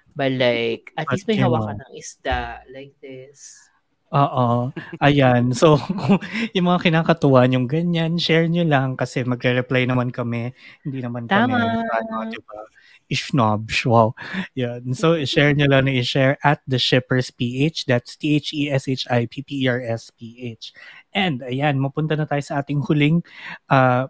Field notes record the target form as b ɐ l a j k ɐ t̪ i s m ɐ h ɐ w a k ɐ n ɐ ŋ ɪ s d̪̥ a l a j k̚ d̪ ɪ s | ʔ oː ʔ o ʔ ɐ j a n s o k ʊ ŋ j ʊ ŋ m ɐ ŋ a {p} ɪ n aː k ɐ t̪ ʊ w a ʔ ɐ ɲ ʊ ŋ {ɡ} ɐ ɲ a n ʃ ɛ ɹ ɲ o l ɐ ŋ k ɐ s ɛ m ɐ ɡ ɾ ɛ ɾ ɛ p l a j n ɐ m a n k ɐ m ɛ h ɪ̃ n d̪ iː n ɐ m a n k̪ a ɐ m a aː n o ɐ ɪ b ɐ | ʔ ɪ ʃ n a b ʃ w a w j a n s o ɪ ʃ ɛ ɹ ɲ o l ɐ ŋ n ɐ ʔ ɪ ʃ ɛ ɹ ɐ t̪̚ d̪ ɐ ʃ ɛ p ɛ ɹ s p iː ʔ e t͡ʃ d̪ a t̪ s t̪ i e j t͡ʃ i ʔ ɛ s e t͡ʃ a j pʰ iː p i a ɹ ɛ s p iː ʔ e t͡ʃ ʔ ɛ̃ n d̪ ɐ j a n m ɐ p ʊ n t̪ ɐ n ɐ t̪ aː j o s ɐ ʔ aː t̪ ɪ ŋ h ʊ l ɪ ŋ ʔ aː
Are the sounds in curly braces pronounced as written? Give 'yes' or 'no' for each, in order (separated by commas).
no, yes